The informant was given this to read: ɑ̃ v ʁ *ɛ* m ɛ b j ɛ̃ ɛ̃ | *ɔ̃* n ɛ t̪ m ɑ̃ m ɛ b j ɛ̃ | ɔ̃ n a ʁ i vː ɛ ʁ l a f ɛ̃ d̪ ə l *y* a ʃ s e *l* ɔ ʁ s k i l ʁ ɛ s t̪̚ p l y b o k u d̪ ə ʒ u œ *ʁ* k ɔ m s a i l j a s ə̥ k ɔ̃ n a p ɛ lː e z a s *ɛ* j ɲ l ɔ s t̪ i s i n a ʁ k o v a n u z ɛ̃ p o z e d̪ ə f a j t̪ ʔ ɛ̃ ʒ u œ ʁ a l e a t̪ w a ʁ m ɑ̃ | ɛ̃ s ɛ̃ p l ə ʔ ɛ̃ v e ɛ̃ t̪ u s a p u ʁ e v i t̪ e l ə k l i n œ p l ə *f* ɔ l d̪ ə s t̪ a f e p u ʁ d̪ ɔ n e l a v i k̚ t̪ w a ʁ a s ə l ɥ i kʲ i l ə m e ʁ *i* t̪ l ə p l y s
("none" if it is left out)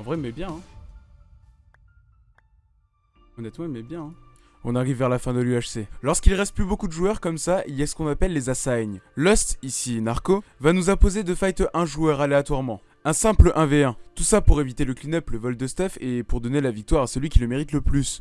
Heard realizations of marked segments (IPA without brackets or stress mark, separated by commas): ɛ, ɔ, y, l, ʁ, a, v, i